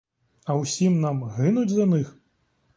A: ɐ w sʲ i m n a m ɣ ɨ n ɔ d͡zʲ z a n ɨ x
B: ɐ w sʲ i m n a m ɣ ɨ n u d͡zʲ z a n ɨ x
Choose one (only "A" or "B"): B